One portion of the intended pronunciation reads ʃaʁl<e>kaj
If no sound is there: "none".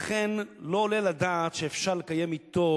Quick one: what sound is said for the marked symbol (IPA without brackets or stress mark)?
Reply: e